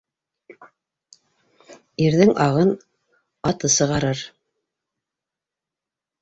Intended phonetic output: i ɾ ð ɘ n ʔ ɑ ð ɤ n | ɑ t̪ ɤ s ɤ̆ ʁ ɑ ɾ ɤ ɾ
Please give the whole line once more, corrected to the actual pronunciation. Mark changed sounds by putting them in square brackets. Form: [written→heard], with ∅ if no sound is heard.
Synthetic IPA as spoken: i ɾ ð ɘ [n→ŋ] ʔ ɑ [ð→ʁ] ɤ n | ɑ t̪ ɤ s ɤ̆ ʁ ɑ ɾ ɤ ɾ